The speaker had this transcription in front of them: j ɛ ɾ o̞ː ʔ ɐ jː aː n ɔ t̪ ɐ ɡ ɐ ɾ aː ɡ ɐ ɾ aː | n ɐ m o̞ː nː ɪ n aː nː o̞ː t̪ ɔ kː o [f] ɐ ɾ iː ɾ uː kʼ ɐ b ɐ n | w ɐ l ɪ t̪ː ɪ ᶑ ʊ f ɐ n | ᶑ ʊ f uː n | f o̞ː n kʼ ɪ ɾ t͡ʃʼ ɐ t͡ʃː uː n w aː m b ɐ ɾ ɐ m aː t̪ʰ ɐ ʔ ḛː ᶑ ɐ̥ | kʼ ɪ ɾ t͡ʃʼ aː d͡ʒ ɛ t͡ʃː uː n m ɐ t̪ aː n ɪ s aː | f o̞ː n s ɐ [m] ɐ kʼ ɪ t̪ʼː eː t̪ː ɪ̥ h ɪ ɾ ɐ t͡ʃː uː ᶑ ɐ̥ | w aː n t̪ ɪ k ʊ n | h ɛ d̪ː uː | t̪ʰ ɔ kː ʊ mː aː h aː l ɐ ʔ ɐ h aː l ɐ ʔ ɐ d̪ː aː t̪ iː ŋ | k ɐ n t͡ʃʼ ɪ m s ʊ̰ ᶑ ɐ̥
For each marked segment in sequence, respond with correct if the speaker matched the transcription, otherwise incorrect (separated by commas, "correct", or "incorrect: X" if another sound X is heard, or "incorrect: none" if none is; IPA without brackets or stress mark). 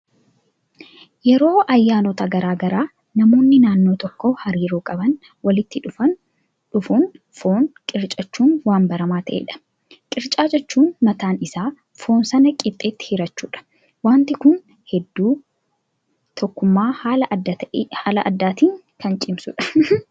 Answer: incorrect: h, incorrect: n